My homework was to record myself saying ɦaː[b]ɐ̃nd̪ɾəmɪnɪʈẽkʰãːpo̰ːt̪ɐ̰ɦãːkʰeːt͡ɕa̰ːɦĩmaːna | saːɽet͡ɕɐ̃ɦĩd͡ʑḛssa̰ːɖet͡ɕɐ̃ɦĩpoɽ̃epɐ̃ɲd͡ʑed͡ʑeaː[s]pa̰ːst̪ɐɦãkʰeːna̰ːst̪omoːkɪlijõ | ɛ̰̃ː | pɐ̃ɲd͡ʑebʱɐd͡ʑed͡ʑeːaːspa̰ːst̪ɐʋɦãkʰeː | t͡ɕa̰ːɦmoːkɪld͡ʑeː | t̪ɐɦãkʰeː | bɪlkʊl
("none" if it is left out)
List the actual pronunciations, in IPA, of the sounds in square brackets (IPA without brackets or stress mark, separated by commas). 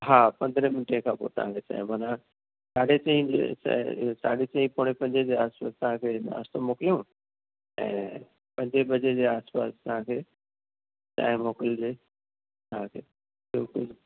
p, s